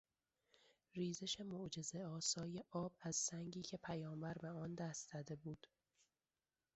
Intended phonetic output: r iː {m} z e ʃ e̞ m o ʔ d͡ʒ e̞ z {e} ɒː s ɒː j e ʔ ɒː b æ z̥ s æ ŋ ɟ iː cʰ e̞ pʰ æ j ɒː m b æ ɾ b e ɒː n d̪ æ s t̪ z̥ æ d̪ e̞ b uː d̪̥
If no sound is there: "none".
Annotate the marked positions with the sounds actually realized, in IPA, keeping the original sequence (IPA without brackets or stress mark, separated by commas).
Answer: none, e